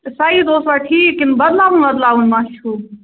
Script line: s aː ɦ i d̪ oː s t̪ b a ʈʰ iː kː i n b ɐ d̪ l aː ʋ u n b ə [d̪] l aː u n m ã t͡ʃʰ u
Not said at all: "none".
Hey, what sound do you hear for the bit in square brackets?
d̪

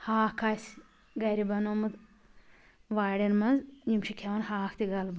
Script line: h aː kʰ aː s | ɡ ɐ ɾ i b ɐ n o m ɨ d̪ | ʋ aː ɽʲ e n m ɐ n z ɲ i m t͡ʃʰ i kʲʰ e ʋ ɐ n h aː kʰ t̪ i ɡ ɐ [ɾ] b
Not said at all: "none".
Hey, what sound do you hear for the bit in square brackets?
l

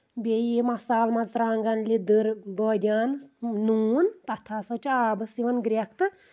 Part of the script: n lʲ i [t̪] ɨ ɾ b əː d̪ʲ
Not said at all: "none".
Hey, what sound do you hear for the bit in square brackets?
d̪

